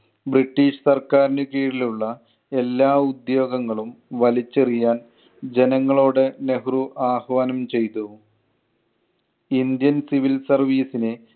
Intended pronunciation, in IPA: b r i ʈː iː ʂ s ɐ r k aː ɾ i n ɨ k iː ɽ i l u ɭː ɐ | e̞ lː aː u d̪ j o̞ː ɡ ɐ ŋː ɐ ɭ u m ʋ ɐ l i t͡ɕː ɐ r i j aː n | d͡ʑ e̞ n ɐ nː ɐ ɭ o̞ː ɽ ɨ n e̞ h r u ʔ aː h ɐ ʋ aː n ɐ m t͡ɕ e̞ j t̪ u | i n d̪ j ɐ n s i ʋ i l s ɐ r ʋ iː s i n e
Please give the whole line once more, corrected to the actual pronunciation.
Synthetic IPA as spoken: b r i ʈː iː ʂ s ɐ r k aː ɾ i n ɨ k iː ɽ i l u ɭː ɐ | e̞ lː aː u d̪ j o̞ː ɡ ɐ ŋː ɐ ɭ u m ʋ ɐ l i t͡ɕː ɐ r i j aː n | d͡ʑ e̞ n ɐ ŋː ɐ ɭ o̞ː ɽ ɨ n e̞ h r u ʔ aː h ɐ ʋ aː n ɐ m t͡ɕ e̞ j t̪ u | i n d̪ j ɐ n s i ʋ i l s ɐ r ʋ iː s i n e